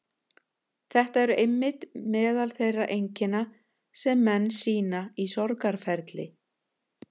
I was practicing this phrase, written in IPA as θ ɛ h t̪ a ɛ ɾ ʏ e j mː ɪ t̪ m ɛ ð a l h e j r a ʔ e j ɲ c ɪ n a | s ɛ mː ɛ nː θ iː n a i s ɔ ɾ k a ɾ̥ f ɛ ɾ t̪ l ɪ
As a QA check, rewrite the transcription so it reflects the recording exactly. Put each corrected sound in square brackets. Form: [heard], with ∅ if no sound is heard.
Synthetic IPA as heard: θ ɛ h t̪ a ɛ ɾ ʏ e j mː ɪ t̪ m [ɛː] ð a l [θ] e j r a ʔ e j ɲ c ɪ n a | s ɛ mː ɛ nː [s] iː n a i s ɔ ɾ k a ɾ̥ f ɛ ɾ t̪ l ɪ